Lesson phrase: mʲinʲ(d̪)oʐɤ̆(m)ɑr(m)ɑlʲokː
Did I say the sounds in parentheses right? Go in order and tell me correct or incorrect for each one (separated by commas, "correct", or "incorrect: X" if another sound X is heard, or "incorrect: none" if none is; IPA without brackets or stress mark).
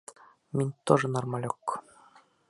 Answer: incorrect: t̪, incorrect: n, correct